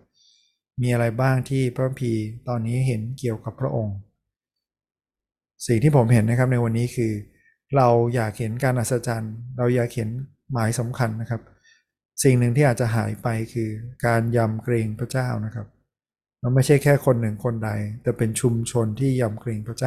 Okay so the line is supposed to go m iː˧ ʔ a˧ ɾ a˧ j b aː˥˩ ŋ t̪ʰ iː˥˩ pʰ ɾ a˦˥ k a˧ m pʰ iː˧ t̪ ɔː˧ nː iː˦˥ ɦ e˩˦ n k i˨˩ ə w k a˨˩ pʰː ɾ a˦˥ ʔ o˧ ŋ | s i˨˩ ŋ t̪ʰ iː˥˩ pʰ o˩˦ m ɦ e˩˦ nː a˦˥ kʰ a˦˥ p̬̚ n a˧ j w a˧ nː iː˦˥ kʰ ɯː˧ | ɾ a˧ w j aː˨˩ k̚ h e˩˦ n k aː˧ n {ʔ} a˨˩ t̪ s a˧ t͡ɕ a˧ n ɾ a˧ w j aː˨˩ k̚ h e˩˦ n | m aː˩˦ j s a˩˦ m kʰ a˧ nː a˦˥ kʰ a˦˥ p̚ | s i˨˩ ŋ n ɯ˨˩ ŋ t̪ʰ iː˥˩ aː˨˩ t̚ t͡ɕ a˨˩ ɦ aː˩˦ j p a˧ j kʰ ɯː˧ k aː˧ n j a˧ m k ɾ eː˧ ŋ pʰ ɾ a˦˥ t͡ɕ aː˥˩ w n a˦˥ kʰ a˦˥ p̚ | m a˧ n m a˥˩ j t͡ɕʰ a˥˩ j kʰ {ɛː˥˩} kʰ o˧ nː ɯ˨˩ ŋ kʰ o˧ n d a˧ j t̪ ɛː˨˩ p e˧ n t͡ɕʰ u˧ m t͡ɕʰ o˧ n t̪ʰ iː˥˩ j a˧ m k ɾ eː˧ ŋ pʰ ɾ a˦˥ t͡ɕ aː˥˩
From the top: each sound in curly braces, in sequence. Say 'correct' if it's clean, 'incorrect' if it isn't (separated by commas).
correct, correct